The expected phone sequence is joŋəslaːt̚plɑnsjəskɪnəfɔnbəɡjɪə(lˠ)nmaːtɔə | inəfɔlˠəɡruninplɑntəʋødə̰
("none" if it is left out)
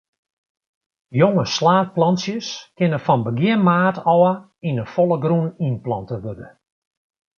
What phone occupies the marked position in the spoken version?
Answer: none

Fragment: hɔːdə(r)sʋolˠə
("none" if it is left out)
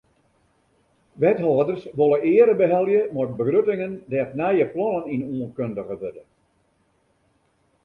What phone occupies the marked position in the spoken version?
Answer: r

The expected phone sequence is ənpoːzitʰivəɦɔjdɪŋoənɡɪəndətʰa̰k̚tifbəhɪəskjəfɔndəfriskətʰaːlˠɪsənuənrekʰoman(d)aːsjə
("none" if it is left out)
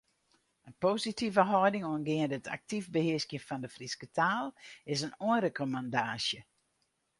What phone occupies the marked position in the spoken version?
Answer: d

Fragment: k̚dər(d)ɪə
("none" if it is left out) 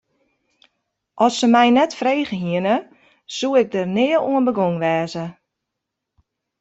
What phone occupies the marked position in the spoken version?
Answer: n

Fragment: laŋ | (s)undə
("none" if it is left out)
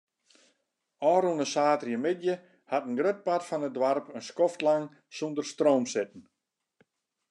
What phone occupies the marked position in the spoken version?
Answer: s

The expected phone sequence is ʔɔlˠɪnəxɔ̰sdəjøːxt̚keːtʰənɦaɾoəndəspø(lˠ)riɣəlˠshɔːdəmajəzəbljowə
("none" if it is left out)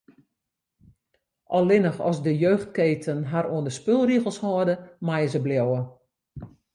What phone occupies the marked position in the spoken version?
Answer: lˠ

